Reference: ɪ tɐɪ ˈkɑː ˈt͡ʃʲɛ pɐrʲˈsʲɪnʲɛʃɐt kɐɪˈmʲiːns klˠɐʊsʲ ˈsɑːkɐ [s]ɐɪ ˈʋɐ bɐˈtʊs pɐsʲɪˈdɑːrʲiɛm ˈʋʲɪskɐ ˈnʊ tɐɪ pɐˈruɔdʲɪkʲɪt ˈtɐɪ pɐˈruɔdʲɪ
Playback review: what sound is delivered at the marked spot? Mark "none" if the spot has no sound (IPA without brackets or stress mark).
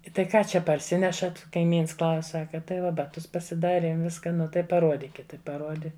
t